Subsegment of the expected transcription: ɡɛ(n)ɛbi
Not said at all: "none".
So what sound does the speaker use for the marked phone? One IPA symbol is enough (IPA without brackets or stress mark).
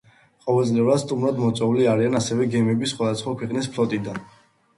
m